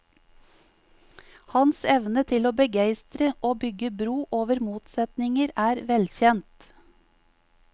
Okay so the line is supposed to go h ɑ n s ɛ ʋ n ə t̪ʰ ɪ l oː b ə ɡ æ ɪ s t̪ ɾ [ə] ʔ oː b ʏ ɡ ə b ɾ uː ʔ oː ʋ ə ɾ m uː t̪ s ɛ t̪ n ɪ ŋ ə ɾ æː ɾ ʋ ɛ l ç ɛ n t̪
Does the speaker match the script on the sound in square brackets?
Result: yes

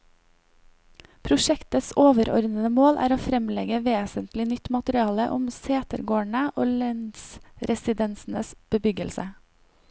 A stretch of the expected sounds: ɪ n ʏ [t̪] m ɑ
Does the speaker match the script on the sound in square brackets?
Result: yes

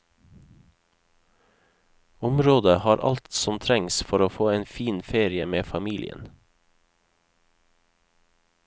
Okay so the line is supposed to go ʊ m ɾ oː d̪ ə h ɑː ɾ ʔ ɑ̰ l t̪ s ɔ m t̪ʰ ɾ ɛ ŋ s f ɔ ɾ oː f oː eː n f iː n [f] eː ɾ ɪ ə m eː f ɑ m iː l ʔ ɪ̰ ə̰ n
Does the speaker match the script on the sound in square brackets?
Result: yes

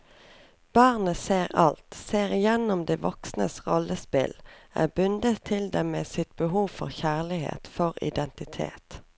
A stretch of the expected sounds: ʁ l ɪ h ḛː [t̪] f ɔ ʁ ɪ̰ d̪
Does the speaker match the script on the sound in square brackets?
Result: yes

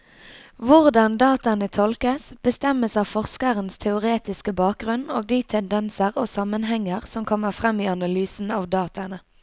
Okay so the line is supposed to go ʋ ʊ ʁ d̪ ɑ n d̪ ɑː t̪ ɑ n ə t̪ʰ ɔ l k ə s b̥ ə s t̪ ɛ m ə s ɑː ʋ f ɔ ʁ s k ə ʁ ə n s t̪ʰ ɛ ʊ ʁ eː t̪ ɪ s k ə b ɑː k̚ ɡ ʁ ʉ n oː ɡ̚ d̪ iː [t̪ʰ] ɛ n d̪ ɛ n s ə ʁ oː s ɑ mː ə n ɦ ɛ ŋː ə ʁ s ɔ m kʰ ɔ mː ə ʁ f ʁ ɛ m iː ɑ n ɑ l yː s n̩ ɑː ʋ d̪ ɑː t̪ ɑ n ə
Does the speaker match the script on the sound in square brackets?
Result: yes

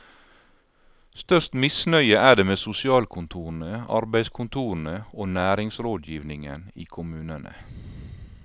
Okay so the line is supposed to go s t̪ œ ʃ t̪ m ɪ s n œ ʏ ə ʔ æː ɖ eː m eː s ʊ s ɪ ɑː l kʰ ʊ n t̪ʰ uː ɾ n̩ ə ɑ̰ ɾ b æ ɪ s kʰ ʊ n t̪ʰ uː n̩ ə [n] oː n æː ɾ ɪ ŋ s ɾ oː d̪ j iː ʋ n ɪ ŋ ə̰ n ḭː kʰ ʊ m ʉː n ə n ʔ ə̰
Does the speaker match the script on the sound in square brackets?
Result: no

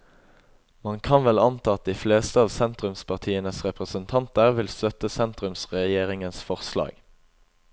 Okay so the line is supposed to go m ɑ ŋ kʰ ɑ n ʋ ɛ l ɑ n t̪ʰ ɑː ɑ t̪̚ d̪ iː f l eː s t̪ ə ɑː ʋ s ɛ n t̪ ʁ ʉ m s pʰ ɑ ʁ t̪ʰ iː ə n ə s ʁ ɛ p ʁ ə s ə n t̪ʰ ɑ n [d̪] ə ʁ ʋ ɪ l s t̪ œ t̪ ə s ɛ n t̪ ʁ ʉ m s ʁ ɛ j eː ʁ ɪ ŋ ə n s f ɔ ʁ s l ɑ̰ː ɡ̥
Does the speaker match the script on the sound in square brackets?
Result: no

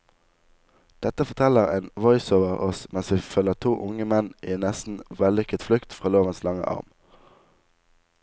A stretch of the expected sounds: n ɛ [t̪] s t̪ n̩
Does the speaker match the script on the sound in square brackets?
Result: no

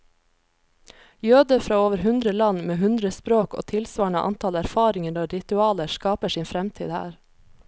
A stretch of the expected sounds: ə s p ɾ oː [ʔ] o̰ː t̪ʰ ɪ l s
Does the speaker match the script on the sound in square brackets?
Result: no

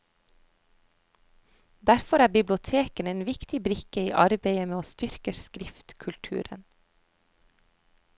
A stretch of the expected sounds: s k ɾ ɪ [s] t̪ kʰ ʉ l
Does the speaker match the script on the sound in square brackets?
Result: no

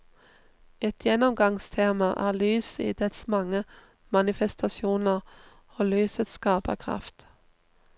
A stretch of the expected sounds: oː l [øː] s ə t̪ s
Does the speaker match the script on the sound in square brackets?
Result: no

